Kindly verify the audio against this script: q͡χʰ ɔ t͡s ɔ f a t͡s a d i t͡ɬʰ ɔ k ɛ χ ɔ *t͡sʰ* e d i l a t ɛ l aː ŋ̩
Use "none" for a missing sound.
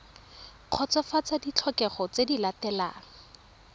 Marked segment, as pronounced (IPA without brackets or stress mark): t͡s